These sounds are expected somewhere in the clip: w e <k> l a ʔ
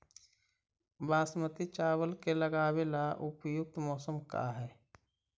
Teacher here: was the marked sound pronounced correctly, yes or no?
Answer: no